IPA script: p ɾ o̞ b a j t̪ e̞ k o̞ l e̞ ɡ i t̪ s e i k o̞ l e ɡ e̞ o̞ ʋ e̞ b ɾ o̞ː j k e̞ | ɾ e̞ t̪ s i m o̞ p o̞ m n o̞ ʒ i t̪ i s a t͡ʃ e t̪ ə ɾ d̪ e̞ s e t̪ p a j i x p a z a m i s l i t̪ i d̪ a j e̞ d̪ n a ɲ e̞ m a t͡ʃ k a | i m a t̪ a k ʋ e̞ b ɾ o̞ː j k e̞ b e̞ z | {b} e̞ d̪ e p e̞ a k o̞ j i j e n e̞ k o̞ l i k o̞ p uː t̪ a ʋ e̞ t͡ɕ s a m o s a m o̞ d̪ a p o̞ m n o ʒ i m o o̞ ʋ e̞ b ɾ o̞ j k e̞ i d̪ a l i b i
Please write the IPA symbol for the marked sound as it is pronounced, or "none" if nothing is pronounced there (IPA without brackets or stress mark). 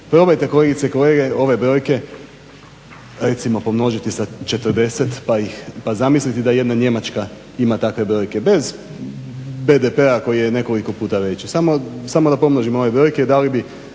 b